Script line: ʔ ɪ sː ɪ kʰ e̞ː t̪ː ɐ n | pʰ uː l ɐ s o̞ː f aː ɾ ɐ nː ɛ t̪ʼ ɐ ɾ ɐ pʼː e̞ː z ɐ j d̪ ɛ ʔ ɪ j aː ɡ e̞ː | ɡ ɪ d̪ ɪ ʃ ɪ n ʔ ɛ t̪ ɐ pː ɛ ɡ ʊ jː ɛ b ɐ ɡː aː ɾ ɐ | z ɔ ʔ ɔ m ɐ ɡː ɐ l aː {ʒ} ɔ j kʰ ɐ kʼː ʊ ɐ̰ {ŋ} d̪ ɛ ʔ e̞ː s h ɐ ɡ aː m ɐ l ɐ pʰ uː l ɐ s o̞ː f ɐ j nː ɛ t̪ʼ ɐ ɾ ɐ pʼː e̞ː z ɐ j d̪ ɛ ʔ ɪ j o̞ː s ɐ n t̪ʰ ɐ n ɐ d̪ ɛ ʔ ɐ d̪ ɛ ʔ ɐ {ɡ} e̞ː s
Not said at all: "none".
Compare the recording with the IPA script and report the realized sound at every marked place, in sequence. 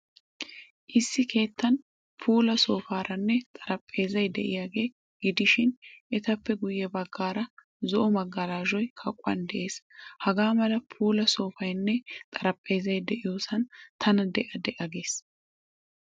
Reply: ʒ, n, ɡ

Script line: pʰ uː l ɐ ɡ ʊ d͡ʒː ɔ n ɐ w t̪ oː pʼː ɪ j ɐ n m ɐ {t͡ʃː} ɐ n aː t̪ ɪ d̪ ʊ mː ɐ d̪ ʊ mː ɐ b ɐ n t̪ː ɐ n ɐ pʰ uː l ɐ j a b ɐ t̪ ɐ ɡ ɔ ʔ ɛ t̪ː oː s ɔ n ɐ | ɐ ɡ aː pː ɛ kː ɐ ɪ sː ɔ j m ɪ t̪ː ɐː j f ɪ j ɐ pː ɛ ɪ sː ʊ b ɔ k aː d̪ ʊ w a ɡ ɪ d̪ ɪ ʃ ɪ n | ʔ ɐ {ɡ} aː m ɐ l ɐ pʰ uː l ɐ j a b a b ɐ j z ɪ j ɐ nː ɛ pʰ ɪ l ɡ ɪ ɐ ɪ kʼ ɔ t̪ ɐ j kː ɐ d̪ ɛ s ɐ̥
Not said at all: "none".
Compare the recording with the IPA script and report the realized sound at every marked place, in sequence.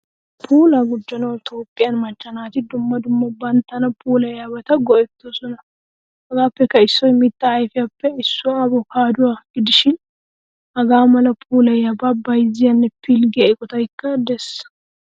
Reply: t͡ʃː, ɡ

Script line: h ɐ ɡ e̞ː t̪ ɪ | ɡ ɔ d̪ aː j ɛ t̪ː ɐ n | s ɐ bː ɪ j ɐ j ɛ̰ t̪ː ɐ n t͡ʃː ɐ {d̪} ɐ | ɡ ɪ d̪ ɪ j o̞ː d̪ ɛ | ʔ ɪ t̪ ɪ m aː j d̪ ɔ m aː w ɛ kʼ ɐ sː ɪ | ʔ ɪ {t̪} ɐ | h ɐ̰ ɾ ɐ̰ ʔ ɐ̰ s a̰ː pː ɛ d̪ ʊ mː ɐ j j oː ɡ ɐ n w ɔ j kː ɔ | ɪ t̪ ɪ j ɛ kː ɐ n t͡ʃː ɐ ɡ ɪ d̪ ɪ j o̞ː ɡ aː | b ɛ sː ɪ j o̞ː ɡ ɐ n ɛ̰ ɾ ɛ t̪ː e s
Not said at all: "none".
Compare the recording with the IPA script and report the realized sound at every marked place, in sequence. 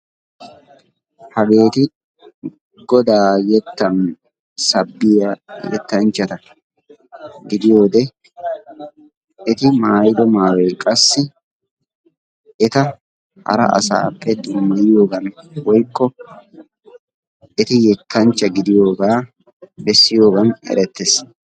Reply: t̪, t̪

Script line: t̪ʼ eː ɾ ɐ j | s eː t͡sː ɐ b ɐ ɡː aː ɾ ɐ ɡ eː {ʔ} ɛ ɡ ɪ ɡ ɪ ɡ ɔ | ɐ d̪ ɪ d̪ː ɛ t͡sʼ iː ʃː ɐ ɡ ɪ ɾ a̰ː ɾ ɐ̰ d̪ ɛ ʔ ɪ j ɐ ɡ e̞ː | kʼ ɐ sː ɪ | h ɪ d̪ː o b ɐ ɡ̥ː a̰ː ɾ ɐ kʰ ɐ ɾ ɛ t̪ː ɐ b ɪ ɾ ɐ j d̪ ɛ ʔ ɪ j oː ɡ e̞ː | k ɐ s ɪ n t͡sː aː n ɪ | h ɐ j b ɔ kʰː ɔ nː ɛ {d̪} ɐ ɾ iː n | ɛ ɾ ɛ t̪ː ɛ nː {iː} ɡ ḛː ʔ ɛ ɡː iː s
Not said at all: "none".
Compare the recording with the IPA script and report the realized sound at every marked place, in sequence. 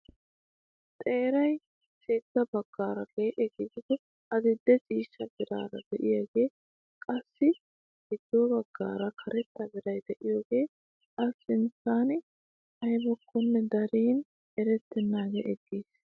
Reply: ʔ, d̪, aː

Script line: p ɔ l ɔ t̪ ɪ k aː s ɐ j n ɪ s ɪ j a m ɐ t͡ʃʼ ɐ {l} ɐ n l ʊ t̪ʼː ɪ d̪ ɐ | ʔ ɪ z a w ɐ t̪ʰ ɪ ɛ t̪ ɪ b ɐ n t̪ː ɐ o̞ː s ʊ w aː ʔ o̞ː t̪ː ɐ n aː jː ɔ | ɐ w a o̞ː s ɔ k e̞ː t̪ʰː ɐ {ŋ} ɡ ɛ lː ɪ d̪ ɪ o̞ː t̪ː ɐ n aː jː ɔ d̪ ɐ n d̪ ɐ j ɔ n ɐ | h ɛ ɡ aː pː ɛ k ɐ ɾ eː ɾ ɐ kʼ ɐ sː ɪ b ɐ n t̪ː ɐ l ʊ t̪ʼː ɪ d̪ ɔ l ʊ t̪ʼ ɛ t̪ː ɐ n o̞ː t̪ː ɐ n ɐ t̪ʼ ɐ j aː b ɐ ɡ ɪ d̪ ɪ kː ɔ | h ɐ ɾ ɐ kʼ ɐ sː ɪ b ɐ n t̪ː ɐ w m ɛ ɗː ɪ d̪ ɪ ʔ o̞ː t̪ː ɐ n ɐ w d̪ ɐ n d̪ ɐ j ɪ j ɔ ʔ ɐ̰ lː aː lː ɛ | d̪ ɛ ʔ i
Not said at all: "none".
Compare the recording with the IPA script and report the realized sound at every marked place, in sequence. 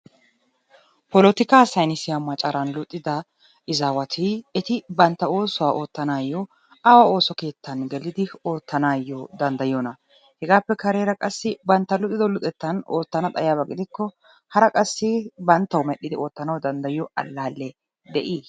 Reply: ɾ, n

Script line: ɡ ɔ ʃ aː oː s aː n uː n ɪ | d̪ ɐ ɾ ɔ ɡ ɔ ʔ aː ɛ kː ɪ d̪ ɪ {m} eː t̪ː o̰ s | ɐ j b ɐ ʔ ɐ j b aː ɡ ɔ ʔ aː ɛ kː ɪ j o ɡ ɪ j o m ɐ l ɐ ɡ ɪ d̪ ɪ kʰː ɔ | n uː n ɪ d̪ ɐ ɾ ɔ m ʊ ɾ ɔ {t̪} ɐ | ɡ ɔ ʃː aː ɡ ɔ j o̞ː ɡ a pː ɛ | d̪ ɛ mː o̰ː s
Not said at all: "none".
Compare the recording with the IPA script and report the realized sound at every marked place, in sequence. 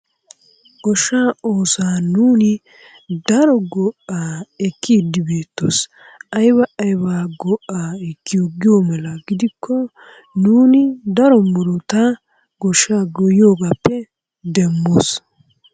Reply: b, t̪

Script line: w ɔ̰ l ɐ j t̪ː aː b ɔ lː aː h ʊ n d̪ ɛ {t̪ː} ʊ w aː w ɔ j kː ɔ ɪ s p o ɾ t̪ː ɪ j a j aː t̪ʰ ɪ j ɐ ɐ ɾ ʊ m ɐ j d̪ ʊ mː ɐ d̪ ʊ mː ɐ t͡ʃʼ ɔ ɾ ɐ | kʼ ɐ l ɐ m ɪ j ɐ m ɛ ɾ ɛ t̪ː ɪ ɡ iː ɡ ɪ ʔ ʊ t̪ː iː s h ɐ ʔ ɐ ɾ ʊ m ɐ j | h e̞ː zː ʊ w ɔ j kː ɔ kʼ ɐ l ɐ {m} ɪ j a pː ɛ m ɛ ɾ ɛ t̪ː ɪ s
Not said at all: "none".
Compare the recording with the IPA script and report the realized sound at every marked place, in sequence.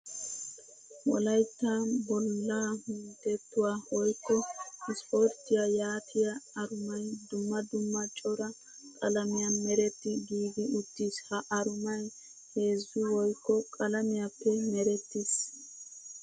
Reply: t̪ː, m

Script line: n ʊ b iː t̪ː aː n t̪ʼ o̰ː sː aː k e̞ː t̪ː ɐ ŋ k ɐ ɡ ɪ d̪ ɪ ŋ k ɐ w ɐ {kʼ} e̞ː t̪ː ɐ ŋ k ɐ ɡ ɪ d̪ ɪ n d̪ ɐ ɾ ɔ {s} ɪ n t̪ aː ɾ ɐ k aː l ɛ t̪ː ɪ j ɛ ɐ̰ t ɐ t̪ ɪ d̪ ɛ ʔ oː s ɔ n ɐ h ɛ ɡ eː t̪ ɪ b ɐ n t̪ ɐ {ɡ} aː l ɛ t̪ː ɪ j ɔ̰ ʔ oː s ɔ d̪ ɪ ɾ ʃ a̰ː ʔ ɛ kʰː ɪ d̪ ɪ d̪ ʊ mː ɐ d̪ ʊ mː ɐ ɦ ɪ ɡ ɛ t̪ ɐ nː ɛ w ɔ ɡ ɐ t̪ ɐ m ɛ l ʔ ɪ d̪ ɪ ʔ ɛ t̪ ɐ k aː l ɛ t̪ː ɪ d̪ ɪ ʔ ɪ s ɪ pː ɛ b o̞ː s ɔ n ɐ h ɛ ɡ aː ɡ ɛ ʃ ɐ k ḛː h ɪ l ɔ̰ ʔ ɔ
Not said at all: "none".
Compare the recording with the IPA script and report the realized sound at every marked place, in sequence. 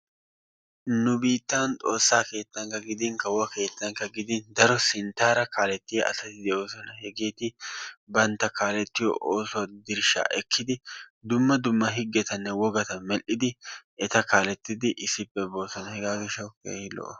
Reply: k, s, k

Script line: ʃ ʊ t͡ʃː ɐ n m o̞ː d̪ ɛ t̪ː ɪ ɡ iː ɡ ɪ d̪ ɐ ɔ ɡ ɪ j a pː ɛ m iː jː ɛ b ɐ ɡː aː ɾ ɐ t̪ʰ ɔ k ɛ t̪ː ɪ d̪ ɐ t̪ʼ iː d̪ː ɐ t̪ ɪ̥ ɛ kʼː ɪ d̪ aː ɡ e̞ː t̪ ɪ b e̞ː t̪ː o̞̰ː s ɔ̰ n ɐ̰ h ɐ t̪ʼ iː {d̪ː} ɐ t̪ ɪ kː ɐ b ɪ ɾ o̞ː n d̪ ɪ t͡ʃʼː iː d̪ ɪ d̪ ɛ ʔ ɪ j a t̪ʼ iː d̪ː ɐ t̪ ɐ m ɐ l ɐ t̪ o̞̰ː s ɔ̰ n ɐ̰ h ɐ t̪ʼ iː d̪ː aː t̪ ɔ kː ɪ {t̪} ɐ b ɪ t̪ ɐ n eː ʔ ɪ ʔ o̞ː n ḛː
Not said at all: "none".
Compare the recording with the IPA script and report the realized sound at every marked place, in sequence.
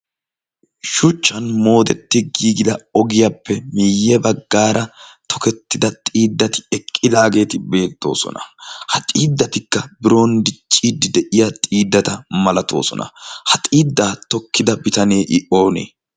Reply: d̪ː, d̪

